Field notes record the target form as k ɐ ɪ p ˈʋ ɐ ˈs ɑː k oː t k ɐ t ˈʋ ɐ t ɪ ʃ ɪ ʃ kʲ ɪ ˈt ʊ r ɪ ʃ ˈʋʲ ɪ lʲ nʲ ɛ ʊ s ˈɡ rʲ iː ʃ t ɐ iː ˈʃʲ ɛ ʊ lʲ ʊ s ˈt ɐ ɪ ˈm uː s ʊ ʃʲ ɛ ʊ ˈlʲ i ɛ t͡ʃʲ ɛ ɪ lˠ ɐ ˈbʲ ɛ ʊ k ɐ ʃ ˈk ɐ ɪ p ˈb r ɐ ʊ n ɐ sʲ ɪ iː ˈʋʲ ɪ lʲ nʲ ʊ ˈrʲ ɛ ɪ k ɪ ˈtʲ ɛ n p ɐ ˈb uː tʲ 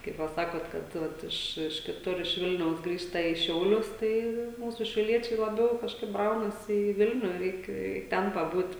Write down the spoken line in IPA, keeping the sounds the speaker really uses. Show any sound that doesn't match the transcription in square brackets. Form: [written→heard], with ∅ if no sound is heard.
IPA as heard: k ɐ ɪ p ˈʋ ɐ ˈs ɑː k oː t k ɐ t ˈʋ ɐ t ɪ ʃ ɪ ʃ kʲ ɪ ˈt ʊ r ɪ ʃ ˈʋʲ ɪ lʲ nʲ ɛ ʊ s ˈɡ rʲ iː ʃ t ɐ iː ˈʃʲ ɛ ʊ lʲ ʊ s ˈt ɐ ɪ ˈm uː s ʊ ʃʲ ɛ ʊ ˈlʲ i ɛ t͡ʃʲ ɛ ɪ lˠ ɐ ˈbʲ ɛ ʊ k ɐ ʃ ˈk ɐ ɪ p ˈb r ɐ ʊ n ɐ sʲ ɪ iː ˈʋʲ ɪ lʲ nʲ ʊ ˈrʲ ɛ ɪ k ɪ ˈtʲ ɛ n p ɐ ˈb uː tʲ